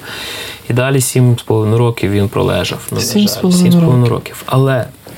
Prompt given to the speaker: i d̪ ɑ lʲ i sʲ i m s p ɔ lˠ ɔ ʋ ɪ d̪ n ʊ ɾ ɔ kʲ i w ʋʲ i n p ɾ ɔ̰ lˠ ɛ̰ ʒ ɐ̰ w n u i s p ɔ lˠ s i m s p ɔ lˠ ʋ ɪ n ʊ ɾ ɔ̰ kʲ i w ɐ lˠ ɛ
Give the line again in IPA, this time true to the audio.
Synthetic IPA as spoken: i d̪ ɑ lʲ i sʲ i m s p ɔ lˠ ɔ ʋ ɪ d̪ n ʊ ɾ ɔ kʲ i w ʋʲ i n p ɾ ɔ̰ lˠ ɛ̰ ʒ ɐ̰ w n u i s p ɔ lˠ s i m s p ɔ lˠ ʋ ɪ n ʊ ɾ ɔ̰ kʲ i w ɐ lˠ ɛ